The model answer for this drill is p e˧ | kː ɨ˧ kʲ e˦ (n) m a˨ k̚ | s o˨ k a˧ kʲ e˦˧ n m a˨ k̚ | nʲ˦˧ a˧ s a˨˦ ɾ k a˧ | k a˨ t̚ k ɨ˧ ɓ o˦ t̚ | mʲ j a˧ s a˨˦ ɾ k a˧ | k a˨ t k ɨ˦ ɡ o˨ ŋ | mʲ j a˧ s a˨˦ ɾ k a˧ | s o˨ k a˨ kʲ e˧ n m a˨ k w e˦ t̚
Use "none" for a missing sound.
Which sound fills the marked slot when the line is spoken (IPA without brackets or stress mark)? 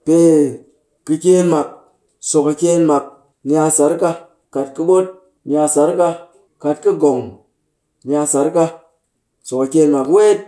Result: n